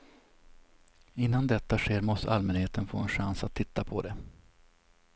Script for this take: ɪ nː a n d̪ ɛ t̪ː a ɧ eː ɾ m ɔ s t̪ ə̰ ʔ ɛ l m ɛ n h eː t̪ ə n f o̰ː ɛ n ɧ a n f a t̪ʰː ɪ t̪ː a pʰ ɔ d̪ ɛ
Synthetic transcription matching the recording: ɪ nː a n d̪ ɛ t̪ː a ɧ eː ɾ m ɔ s t̪ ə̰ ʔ a l m ɛ n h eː t̪ ə n f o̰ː ɛ n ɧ a n s a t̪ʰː ɪ t̪ː a pʰ ɔ d̪ ɛ